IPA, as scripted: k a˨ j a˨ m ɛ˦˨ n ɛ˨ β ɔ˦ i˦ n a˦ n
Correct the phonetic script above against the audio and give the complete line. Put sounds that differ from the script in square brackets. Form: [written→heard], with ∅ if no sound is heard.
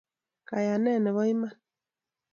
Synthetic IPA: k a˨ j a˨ [m→n] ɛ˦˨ n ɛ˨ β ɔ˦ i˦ [n→m] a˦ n